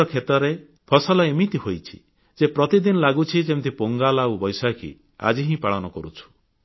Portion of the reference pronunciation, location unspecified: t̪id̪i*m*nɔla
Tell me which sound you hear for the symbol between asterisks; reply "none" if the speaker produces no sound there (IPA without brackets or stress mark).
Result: none